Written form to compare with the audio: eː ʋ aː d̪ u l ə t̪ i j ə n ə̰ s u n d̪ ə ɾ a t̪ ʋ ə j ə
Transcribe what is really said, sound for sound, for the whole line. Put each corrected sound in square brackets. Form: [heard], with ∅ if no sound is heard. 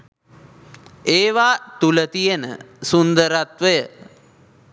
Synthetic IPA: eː ʋ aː [t̪] u l ə t̪ i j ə n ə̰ s u n d̪ ə ɾ a t̪ ʋ ə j ə